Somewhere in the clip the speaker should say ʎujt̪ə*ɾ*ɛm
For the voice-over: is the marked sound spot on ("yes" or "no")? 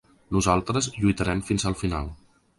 yes